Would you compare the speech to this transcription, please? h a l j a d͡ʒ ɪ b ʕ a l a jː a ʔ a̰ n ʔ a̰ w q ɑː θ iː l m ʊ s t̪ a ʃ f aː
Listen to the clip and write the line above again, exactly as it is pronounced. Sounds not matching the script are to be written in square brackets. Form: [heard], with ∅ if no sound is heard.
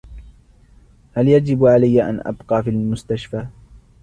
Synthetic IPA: h a l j a d͡ʒ ɪ b ʕ a l a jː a ʔ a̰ n ʔ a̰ [b] q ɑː [f] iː l m ʊ s t̪ a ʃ f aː